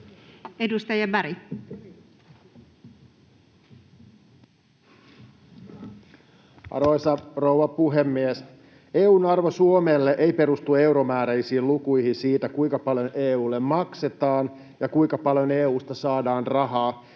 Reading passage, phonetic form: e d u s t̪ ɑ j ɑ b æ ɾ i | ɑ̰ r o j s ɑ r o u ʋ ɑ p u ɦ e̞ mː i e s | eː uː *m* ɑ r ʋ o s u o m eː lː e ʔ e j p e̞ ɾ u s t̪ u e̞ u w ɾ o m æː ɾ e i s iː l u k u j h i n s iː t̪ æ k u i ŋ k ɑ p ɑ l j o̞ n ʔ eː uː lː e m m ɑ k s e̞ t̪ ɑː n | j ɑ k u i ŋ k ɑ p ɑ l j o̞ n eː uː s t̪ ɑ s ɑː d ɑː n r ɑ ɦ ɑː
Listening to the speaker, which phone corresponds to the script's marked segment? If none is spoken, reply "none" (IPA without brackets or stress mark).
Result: n